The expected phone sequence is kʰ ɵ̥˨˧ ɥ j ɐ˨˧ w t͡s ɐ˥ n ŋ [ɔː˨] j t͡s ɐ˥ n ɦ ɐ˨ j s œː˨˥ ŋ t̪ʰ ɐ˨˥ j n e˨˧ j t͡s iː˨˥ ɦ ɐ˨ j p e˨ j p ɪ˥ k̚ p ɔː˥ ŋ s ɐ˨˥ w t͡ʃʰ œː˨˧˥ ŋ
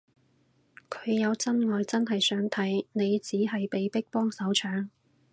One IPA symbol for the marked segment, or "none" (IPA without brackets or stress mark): ɔː˨